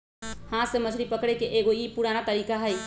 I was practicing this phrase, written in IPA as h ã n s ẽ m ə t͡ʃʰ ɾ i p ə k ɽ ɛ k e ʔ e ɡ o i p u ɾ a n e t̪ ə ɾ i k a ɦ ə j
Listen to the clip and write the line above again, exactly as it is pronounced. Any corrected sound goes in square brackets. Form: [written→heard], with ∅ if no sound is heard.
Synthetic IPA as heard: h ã [n→∅] s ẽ m ə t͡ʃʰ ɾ i p ə k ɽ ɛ k e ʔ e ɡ o i p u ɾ a n [e→a] t̪ ə ɾ i k a ɦ ə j